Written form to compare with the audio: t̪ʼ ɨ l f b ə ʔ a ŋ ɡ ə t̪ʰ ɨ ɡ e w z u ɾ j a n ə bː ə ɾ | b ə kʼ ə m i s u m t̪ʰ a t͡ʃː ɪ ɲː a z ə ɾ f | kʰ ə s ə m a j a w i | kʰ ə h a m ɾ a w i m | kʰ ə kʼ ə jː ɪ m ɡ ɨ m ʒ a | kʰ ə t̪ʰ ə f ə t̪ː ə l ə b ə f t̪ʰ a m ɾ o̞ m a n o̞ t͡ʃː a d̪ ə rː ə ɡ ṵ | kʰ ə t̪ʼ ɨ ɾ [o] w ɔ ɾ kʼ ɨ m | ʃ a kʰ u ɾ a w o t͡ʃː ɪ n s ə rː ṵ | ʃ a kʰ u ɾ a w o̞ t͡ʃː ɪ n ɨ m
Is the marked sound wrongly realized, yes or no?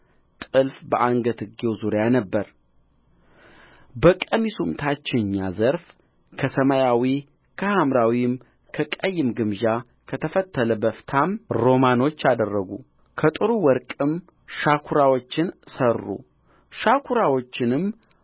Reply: yes